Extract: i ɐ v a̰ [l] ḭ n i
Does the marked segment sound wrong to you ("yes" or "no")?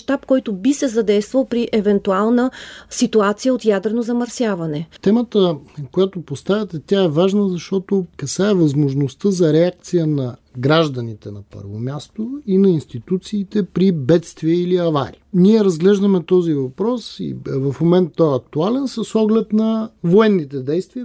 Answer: yes